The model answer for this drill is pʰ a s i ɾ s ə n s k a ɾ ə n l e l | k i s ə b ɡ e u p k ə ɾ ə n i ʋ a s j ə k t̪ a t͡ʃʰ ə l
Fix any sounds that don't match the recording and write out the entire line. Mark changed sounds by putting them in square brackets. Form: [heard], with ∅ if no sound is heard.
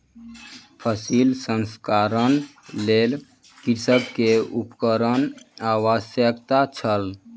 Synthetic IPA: pʰ [ə] s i [l] s ə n s k a ɾ ə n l e l | k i s ə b [k] e u p k ə ɾ ə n [a] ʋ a s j ə k t̪ a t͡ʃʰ ə l